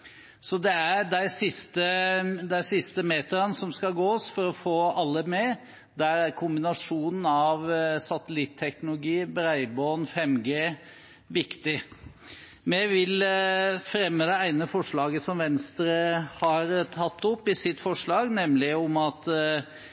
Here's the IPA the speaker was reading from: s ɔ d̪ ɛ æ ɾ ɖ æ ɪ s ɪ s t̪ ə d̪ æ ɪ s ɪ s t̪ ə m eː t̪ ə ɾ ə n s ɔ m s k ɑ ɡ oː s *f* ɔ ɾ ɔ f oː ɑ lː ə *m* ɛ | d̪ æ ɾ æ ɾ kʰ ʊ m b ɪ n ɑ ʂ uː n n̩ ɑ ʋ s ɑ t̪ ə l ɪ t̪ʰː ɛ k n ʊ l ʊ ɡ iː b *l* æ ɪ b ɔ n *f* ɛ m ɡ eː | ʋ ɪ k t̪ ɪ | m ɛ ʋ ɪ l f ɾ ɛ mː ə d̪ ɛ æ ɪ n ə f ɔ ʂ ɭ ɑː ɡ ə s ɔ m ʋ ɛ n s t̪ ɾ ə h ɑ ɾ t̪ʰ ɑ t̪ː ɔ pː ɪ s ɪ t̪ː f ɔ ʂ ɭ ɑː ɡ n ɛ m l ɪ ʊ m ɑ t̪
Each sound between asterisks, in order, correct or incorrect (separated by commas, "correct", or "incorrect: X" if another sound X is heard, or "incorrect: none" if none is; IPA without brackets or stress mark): correct, correct, incorrect: ɾ, correct